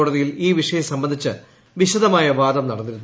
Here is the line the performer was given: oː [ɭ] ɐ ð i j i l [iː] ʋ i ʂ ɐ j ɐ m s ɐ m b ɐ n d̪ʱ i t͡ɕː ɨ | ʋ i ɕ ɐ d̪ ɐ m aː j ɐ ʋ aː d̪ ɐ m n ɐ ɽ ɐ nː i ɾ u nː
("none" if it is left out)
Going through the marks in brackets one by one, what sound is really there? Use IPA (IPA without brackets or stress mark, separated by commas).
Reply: ɽ, iː